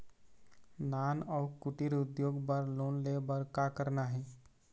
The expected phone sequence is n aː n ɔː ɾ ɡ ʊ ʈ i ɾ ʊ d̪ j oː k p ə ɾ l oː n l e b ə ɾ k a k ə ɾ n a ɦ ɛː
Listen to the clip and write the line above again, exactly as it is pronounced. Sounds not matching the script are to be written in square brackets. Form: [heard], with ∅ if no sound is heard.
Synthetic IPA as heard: n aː n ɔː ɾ [k] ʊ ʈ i ɾ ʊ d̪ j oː [ɡ] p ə ɾ l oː n l e b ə ɾ k a k ə ɾ n a ɦ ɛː